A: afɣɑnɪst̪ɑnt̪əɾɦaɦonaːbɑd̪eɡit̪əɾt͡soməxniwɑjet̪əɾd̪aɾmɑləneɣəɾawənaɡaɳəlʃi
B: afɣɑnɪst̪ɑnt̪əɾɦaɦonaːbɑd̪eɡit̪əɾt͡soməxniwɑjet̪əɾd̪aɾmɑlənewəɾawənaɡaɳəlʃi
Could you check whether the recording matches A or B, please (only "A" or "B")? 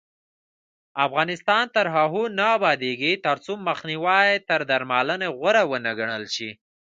A